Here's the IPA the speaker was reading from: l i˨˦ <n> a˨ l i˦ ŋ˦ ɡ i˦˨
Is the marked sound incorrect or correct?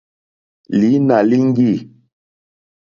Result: correct